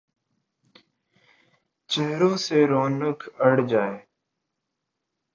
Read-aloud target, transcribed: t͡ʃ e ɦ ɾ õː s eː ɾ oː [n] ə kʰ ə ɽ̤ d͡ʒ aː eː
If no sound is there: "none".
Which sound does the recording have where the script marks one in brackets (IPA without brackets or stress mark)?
n